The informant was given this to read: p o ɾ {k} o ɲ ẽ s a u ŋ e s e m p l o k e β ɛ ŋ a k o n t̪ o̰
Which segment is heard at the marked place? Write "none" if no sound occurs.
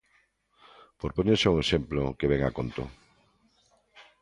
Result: p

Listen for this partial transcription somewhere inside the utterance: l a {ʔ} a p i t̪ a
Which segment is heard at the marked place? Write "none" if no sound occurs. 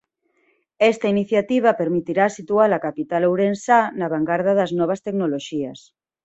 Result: k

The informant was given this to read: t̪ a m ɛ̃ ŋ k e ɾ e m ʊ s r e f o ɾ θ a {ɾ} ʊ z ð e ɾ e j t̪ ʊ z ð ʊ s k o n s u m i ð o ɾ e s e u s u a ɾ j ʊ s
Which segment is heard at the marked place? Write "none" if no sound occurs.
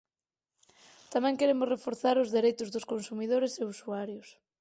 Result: ɾ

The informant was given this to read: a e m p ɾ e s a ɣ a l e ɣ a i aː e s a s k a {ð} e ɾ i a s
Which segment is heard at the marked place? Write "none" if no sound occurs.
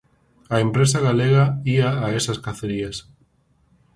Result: θ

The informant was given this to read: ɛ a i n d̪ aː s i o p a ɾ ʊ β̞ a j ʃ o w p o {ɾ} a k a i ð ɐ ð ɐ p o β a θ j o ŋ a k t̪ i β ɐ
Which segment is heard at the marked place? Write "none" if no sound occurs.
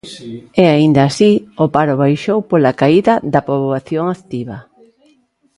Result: l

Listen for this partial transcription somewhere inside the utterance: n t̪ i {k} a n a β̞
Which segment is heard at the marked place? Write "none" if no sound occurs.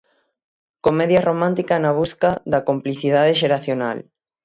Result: k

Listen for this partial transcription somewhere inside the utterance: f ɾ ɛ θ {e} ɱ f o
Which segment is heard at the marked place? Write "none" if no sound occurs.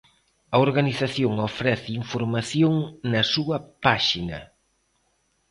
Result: i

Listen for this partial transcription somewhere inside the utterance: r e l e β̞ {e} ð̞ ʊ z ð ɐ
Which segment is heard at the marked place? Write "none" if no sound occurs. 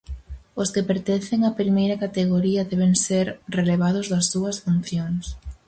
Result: a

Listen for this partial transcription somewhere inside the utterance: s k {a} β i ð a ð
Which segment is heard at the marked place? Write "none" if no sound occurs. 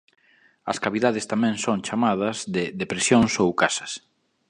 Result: a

